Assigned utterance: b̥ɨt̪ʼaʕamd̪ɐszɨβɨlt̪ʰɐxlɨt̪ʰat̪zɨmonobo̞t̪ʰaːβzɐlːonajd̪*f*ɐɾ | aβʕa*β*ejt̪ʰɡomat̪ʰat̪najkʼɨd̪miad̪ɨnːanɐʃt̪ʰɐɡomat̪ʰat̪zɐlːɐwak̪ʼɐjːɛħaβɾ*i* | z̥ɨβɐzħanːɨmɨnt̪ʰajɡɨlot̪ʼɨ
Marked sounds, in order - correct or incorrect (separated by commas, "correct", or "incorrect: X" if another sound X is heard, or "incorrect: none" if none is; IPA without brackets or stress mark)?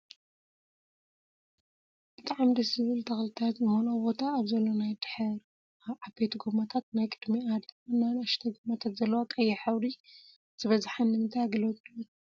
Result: incorrect: ħ, incorrect: b, correct